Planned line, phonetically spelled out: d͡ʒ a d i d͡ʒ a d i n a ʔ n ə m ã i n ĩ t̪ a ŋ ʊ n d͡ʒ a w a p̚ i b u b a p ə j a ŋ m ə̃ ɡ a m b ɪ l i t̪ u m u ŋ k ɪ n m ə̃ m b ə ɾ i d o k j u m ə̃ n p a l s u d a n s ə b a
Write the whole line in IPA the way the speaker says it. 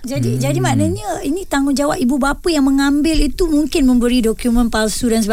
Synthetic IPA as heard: d͡ʒ a d i d͡ʒ a d i m a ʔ n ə ɲ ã i n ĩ t̪ a ŋ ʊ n d͡ʒ a w a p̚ i b u b a p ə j a ŋ m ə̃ ŋ a m b ɪ l i t̪ u m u ŋ k ɪ n m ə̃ m b ə ɾ i d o k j u m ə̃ n p a l s u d a n s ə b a